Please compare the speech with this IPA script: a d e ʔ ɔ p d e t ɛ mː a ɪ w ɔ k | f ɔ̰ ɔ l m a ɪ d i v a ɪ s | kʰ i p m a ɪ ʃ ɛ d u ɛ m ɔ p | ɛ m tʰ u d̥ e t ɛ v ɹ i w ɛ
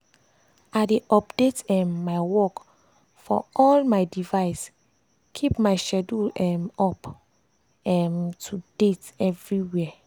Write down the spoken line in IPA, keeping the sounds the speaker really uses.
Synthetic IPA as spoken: a d e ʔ ɔ p d e t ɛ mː a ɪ w ɔ k | f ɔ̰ ɔ l m a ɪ d i v a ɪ s | kʰ i p m a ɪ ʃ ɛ d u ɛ m ɔ p | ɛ m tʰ u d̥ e t ɛ v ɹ i w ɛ

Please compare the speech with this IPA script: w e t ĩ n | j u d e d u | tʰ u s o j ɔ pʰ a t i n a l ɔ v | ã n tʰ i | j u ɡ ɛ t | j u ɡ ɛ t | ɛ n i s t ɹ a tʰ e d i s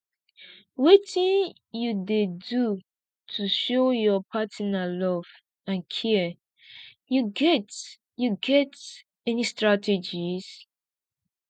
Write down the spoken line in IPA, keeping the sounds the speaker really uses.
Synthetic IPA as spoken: w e t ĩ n | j u d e d u | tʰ u ʃ o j ɔ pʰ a t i n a l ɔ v | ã n kʰ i | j u ɡ ɛ t | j u ɡ ɛ t | ɛ n i s t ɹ a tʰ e d͡ʒ i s

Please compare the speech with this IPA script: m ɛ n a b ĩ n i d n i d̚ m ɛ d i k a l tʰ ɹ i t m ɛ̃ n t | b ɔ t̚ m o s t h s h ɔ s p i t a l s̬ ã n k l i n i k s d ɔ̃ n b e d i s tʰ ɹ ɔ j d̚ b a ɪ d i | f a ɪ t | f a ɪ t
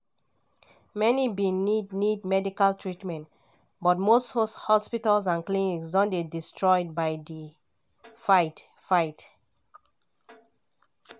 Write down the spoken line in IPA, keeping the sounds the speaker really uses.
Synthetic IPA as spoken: m ɛ n i b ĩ n i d n i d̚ m ɛ d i k a l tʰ ɹ i t m ɛ̃ n t | b ɔ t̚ m o s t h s h ɔ s p i t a l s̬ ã n k l i n i k s d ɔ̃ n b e d i s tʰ ɹ ɔ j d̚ b a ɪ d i | f a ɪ t | f a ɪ t

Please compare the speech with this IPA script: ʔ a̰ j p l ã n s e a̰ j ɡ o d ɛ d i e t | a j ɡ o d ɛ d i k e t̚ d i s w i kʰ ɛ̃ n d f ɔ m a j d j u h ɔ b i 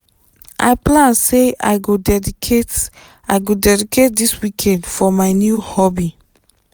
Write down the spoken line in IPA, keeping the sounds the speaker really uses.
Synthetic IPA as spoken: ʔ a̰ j p l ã n s e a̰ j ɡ o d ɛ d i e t | a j ɡ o d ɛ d i k e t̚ d i s w i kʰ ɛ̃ n d f ɔ m a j n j u h ɔ b i

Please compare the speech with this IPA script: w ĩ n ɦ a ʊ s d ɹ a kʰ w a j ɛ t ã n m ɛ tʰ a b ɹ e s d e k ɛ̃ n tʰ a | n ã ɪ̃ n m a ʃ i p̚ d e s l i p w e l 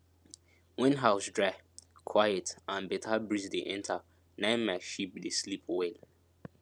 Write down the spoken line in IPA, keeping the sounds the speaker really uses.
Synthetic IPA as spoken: w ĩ n ɦ a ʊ s d ɹ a kʰ w a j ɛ t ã n b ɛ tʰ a b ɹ i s d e ʔ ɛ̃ n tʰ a | n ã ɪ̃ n m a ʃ i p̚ d e s l i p w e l

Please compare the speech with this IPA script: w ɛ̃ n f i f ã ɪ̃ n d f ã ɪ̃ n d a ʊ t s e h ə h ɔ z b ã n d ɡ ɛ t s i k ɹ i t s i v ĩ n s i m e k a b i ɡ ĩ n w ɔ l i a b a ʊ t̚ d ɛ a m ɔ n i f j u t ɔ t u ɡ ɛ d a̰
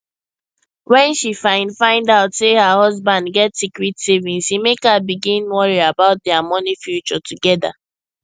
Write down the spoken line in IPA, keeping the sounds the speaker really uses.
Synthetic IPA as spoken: w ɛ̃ n ʃ i f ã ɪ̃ n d f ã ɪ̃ n d a ʊ t s e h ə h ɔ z b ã n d ɡ ɛ t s i k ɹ i t s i v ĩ n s i m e k a b i ɡ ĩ n w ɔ ɹ i a b a ʊ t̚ d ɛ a m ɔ n i f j u t͡ʃ ɔ t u ɡ ɛ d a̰

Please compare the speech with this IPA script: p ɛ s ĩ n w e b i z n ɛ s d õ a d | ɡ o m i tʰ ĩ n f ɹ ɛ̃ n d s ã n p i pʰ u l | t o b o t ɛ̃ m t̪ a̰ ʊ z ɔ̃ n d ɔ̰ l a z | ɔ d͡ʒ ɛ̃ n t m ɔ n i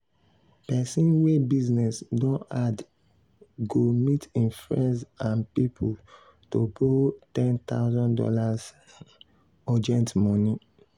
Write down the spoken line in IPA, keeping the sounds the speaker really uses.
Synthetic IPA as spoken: p ɛ s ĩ n w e b i z n ɛ s d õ a d | ɡ o m i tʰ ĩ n f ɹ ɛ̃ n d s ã n p i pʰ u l | t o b o t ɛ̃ n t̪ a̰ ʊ z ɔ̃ n d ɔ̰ l a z | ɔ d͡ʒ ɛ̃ n t m ɔ n i

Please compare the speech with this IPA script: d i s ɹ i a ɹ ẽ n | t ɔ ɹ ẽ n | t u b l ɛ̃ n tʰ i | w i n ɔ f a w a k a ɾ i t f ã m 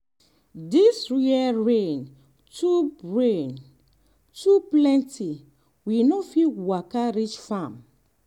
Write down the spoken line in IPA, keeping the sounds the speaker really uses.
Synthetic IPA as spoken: d i s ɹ i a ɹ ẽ n | t u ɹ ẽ n | t u p l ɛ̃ n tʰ i | w i n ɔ f i w a k a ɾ i t͡ʃ f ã m

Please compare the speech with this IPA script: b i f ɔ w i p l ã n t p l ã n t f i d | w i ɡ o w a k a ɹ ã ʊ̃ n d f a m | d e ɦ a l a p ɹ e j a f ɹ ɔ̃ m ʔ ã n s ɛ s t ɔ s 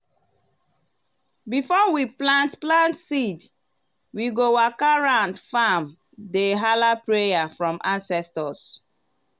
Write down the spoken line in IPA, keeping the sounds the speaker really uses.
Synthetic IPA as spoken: b i f ɔ w i p l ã n t p l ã n t s i d | w i ɡ o w a k a ɹ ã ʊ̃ n d f a m | d e ɦ a l a p ɹ e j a f ɹ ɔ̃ m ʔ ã n s ɛ s t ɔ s

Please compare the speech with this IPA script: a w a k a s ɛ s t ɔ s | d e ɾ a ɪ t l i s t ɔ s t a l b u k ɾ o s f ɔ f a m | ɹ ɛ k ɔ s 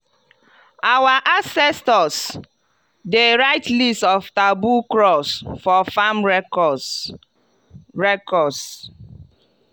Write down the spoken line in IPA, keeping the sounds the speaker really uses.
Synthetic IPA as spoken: a w a ʔ a s ɛ s t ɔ s | d e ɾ a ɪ t l i s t ɔ f t a b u k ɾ ɔ s f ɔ f a m | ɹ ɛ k ɔ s

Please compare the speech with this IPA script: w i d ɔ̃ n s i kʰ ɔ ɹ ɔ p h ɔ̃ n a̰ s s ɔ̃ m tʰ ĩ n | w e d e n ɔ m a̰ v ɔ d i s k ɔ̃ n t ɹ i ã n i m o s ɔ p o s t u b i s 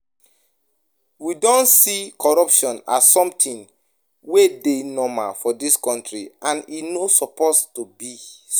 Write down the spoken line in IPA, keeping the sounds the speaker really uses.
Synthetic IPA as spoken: w i d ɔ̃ n s i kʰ ɔ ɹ ɔ p ʃ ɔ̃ n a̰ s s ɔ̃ m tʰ ĩ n | w e d e n ɔ m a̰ f ɔ d i s k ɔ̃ n t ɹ i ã n i n o s ɔ p o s t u b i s

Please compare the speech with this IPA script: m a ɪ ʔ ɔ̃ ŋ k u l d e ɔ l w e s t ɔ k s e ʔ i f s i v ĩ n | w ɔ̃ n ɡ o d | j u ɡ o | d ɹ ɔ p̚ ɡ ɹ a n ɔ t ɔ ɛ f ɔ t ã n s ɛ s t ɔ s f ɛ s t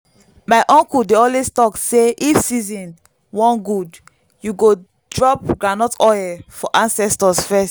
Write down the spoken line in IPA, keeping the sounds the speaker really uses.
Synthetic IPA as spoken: m a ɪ ʔ ɔ̃ ŋ k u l d e ɔ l w e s t ɔ k s e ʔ i f s i z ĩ n | w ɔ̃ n ɡ u d | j u ɡ o | d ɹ ɔ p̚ ɡ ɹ a n ɔ t ɔ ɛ f ɔ ʔ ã n s ɛ s t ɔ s f ɛ s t

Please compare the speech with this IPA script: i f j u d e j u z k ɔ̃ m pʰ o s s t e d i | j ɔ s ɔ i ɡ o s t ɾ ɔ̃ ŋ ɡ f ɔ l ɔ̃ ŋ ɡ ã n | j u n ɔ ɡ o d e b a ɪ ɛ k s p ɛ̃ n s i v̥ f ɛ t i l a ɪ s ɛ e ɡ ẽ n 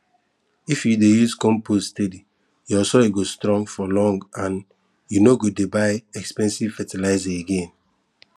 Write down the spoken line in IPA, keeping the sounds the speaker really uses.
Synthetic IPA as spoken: i f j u d e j u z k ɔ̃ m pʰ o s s t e d i | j ɔ s ɔ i ɡ o s t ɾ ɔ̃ ŋ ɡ f ɔ l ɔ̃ ŋ ɡ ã n | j u n o ɡ o d e b a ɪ ɛ k s p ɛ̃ n s i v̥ f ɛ t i l a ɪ z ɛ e ɡ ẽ n

